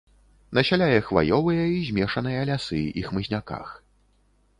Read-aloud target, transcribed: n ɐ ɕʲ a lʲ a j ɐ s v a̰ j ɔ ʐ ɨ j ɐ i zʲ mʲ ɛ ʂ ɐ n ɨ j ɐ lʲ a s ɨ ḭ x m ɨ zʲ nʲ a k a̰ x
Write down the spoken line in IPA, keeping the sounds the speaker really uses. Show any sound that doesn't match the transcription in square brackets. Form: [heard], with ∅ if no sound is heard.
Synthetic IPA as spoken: n ɐ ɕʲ a lʲ a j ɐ [x] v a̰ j ɔ [v] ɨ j ɐ i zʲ mʲ ɛ ʂ ɐ n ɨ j ɐ lʲ a s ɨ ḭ x m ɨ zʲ nʲ a k a̰ x